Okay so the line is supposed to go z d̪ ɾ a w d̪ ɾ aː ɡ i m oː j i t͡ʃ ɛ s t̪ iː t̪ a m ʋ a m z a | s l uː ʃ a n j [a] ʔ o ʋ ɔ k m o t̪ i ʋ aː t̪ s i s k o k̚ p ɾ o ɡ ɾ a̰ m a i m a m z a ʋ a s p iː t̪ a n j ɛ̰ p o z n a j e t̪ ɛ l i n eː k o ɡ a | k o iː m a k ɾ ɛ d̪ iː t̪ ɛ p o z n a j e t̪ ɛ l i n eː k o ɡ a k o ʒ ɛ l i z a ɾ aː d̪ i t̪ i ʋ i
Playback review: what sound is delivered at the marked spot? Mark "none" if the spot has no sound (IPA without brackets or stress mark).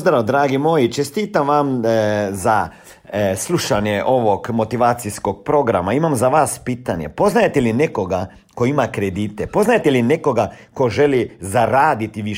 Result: ɛ